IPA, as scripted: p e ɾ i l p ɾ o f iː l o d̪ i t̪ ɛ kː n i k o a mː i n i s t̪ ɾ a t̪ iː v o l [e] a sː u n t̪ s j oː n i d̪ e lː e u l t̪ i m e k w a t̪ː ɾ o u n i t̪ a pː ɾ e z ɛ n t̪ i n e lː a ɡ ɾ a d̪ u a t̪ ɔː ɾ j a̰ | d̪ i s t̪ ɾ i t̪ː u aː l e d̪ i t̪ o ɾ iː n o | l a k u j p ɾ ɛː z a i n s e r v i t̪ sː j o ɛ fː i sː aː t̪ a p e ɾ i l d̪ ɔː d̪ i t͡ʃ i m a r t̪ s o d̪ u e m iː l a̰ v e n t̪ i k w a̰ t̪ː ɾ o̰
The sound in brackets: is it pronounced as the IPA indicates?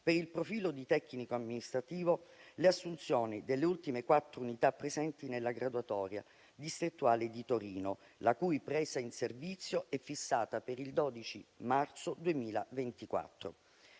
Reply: yes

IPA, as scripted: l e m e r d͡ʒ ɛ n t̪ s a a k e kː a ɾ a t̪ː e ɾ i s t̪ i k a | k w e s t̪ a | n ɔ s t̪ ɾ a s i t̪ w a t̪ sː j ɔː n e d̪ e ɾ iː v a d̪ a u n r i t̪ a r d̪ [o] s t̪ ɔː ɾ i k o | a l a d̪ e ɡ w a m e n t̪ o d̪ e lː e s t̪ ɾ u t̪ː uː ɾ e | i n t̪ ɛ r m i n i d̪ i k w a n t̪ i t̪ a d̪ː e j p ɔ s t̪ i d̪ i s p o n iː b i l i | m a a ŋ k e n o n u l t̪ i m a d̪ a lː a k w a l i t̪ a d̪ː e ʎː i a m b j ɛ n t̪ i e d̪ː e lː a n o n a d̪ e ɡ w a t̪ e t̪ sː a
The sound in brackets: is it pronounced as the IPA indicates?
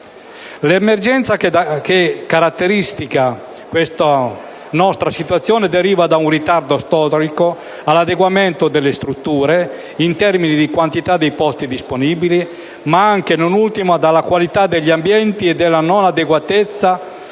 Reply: yes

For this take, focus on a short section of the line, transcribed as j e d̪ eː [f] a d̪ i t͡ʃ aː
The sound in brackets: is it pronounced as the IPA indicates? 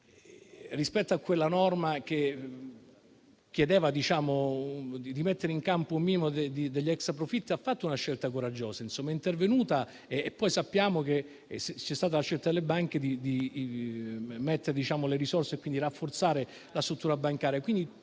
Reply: no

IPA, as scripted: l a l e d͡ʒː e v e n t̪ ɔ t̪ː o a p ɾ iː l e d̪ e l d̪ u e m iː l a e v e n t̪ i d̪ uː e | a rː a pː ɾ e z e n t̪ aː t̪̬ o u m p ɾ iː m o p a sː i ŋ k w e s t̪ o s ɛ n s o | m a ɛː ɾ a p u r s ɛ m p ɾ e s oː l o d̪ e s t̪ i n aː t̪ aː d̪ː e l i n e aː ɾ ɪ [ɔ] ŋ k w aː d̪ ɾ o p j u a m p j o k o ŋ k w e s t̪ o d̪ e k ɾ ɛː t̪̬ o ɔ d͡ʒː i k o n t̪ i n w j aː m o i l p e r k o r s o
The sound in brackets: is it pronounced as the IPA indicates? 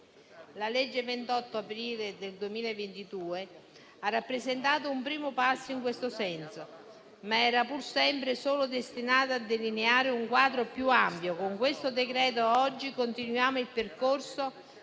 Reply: no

